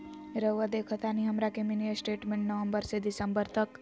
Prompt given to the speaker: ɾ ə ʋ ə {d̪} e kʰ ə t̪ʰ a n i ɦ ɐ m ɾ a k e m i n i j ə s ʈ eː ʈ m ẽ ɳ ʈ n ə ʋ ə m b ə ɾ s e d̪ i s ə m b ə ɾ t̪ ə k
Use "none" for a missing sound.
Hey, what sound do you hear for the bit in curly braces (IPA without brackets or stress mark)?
d̪